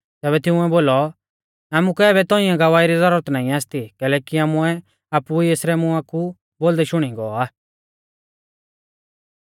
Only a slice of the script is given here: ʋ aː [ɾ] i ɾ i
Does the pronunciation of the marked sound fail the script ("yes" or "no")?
yes